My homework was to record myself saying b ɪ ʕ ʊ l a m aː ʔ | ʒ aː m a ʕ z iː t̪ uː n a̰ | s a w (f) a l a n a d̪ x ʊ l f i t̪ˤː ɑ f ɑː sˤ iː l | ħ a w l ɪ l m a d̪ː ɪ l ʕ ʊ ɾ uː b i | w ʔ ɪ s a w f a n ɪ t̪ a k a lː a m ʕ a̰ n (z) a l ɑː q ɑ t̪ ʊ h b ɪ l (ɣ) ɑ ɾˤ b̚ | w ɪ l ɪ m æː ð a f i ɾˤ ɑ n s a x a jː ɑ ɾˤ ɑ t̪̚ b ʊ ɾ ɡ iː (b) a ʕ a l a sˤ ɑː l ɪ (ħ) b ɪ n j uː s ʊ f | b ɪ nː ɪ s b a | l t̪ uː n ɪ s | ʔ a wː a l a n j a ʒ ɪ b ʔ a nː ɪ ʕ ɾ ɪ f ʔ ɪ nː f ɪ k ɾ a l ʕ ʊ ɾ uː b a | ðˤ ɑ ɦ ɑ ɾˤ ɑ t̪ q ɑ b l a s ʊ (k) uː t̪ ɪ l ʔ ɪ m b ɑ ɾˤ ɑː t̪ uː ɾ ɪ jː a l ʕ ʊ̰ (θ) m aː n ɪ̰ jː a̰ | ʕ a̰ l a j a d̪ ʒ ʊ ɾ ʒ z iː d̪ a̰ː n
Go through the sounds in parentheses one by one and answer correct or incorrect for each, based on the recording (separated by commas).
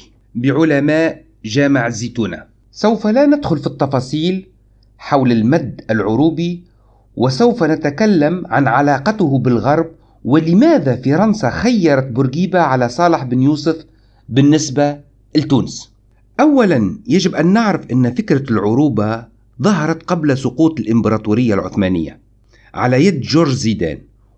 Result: correct, incorrect, correct, correct, correct, incorrect, correct